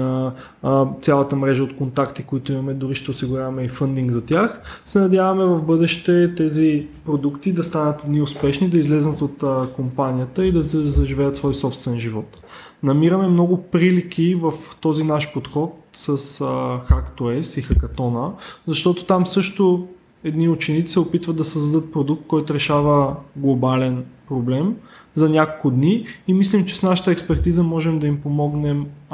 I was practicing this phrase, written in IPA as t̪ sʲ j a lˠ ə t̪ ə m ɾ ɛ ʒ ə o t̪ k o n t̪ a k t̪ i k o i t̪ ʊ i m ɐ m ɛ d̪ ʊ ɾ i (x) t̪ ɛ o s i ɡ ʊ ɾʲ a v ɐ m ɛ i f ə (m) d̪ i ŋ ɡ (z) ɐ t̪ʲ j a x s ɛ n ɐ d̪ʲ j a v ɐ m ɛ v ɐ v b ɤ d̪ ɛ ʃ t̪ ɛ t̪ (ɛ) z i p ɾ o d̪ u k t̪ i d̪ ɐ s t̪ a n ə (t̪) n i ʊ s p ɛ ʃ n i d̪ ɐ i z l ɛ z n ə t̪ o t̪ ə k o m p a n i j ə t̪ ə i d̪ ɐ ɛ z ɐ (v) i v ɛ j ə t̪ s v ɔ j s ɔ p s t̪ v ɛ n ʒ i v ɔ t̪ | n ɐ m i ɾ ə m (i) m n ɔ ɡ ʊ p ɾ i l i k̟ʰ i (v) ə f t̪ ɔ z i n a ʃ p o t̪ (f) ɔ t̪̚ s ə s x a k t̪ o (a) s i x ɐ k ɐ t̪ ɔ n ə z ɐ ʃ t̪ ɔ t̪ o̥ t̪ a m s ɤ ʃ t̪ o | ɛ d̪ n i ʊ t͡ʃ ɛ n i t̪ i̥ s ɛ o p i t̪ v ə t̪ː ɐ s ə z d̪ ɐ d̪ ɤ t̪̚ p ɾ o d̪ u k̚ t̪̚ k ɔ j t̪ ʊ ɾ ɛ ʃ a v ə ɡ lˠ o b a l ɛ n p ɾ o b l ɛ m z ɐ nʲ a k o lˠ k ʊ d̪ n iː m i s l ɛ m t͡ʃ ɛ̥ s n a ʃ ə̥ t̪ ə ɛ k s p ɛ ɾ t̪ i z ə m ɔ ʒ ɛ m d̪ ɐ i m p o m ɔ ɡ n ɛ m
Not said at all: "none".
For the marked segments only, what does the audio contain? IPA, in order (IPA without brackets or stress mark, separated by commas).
ʃ, n, z, ɛ, t̪, ʒ, ɛ, v, x, ɛ